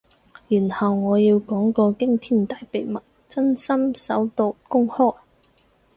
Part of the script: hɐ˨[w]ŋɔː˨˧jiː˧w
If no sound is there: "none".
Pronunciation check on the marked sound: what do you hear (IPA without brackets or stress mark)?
w